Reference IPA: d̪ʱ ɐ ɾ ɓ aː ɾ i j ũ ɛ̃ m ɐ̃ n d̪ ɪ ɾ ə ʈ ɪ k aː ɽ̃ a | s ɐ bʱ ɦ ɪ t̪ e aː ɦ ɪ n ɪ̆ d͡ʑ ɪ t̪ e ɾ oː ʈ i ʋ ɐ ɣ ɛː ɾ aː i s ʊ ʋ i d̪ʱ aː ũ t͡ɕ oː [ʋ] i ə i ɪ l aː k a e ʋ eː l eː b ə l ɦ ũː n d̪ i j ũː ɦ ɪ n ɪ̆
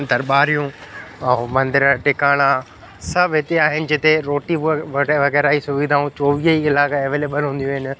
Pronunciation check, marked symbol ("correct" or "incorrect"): correct